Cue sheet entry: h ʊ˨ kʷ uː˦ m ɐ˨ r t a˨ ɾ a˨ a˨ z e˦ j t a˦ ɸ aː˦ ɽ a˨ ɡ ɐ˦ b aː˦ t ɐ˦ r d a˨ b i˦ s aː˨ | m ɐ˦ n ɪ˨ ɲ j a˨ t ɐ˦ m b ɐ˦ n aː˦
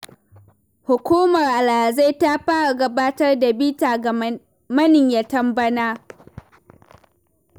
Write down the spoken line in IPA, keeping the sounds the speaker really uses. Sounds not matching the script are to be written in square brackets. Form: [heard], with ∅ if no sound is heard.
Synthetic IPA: h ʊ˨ kʷ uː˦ m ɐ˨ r [ʔ] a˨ [l] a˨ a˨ z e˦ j t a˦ ɸ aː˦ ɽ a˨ ɡ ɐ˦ b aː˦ t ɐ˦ r d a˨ b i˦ [t] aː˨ | m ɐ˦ n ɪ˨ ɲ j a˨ t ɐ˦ m b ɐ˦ n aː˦

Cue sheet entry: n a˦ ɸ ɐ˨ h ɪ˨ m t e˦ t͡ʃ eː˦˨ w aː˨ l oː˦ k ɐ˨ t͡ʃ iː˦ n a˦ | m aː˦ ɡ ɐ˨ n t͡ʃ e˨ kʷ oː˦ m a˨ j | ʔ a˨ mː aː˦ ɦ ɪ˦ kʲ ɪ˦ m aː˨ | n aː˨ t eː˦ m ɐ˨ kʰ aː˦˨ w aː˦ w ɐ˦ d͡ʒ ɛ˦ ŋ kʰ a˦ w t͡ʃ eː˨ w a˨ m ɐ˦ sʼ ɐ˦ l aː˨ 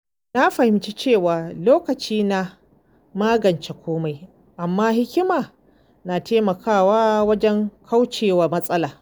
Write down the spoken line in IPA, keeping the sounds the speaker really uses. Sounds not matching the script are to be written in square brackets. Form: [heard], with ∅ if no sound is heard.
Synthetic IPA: n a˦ ɸ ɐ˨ h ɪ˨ m [t͡ʃ] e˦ t͡ʃ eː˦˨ w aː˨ l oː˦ k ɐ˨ t͡ʃ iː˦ n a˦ | m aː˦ ɡ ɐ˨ n t͡ʃ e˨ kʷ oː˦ m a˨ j | ʔ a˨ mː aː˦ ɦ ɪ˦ kʲ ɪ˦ m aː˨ | n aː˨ t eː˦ m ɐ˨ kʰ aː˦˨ w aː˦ w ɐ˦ d͡ʒ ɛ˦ ŋ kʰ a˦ w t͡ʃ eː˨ w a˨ m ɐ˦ sʼ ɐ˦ l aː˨

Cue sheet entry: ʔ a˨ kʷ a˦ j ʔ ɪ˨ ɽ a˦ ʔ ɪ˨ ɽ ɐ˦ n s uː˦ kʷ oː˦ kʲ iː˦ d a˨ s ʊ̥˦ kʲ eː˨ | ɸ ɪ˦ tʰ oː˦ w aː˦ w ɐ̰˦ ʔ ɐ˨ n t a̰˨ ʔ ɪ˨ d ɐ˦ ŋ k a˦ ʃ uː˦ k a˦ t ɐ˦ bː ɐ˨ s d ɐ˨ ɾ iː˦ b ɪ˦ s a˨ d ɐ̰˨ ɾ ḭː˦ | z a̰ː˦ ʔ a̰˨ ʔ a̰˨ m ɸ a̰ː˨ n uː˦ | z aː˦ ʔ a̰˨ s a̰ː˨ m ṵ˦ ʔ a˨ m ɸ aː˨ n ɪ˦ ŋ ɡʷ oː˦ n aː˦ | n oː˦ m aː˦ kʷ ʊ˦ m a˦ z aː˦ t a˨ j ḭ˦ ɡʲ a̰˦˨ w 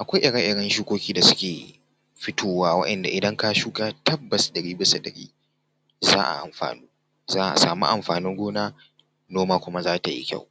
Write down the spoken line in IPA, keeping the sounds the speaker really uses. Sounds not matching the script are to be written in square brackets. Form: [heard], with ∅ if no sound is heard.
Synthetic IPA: ʔ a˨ kʷ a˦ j ʔ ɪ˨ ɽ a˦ ʔ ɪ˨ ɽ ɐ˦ n [ʃ] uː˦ kʷ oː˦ kʲ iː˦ d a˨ s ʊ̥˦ kʲ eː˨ | ɸ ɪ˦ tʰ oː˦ w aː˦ w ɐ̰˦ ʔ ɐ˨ n [d] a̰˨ ʔ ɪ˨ d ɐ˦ ŋ k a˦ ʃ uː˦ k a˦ t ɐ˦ bː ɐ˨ s d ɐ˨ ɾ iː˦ b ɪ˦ s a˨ d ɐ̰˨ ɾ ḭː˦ | z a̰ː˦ ʔ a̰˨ ʔ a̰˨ m ɸ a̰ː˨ n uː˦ | z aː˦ ʔ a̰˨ s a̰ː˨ m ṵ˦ ʔ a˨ m ɸ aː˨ n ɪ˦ ŋ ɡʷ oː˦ n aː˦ | n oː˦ m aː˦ kʷ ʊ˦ m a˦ z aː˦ t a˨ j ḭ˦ [kʲ] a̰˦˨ w

